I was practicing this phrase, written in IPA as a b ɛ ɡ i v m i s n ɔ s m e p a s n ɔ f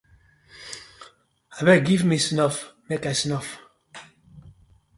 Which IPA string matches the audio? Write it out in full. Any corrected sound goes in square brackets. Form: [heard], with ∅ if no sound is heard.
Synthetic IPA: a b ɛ ɡ i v m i s n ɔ [f] m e [k] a s n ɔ f